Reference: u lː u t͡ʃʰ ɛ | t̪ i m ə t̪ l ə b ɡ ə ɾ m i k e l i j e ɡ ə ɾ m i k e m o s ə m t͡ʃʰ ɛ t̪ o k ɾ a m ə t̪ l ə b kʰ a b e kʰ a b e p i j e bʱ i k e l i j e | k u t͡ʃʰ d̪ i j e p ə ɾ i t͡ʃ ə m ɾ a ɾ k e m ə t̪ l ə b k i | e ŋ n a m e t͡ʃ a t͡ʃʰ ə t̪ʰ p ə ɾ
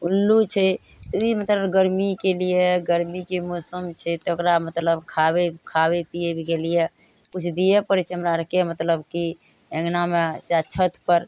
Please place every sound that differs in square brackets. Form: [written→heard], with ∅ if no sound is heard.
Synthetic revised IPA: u lː u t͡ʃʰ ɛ | t̪ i m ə t̪ l ə b ɡ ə ɾ m i k e l i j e ɡ ə ɾ m i k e m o s ə m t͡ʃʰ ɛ t̪ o k ɾ a m ə t̪ l ə b kʰ a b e kʰ a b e p i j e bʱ i k e l i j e | k u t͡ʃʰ d̪ i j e p ə ɾ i t͡ʃ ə m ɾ a ɾ k e m ə t̪ l ə b k i | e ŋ n a m e t͡ʃ a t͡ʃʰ ə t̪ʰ p ə ɾ